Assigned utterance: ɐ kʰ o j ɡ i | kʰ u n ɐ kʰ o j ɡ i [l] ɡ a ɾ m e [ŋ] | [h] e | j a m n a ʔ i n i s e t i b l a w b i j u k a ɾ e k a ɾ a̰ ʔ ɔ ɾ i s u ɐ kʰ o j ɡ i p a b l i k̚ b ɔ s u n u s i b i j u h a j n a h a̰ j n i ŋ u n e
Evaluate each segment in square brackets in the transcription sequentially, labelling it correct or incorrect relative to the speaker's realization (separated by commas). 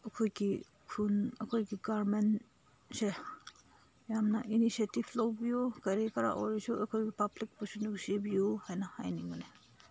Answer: incorrect, incorrect, incorrect